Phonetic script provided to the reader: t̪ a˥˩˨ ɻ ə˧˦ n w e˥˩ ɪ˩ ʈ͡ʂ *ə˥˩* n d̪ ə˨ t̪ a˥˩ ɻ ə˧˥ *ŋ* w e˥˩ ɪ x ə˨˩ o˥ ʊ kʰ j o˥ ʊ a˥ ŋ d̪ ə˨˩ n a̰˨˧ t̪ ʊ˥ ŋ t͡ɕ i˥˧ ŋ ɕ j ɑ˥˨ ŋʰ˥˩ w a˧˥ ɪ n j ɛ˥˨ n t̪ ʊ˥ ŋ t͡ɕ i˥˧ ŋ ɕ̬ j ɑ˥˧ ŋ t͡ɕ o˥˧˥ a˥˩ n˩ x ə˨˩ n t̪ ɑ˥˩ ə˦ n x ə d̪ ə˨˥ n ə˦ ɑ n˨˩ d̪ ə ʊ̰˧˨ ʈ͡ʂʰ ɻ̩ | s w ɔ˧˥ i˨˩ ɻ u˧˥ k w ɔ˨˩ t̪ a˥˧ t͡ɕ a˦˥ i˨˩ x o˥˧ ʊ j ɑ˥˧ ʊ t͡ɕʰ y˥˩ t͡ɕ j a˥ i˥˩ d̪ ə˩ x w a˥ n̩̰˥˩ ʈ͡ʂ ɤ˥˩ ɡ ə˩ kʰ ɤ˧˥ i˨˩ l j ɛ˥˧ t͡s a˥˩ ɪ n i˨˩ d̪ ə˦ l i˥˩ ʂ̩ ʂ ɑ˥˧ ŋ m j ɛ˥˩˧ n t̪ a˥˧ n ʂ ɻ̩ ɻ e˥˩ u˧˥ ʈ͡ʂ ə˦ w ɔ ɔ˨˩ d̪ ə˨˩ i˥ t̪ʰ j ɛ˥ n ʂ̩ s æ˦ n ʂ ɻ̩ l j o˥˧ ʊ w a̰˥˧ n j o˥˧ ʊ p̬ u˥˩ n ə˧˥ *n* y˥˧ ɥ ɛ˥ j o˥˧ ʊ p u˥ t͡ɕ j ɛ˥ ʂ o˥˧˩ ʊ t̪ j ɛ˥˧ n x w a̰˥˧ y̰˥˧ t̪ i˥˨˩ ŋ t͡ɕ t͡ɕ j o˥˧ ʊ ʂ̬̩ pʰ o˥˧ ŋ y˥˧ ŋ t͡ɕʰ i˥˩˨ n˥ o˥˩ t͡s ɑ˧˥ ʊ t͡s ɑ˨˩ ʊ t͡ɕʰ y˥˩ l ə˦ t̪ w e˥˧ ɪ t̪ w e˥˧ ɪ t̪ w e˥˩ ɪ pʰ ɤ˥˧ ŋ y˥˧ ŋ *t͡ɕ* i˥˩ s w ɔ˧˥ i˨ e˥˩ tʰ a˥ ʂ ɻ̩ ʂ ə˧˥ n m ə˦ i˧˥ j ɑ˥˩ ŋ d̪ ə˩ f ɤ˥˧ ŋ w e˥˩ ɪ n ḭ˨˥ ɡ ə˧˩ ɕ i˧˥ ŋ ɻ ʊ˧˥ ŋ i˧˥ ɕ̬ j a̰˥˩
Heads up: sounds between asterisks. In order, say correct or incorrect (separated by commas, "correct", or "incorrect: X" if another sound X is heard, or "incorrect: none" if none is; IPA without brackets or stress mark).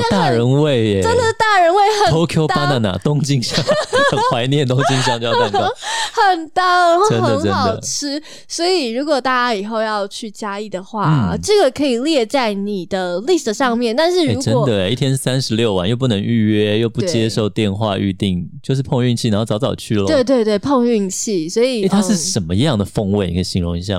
incorrect: ə˥, incorrect: n, incorrect: ŋ, incorrect: t͡ɕʰ